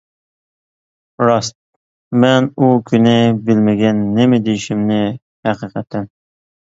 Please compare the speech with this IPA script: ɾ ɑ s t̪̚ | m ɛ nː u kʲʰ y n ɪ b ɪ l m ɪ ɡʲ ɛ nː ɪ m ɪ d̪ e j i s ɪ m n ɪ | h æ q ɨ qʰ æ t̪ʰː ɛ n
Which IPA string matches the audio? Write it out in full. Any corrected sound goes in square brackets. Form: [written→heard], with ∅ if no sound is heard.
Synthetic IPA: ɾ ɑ s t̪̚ | m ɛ [nː→n] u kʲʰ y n ɪ b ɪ l m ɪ ɡʲ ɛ nː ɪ m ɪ d̪ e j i [s→ʃ] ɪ m n ɪ | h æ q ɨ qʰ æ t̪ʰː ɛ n

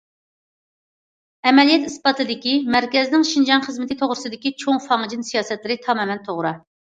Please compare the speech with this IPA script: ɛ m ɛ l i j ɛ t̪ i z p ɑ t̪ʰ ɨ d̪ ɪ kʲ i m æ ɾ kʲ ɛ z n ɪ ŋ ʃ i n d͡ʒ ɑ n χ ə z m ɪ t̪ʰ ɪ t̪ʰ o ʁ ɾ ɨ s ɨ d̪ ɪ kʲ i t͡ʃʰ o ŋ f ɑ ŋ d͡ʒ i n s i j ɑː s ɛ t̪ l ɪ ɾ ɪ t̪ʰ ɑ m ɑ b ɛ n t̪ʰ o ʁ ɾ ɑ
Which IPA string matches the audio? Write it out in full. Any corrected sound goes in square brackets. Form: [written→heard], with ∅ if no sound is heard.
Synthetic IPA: ɛ m ɛ l i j ɛ t̪ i [z→s] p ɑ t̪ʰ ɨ d̪ ɪ kʲ i m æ ɾ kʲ ɛ z n ɪ ŋ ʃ i n d͡ʒ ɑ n χ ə z m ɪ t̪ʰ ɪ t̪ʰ o ʁ ɾ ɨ s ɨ d̪ ɪ kʲ i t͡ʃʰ o ŋ f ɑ ŋ d͡ʒ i n s i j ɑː s ɛ t̪ l ɪ ɾ ɪ t̪ʰ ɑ m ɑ [b→m] ɛ n t̪ʰ o ʁ ɾ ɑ

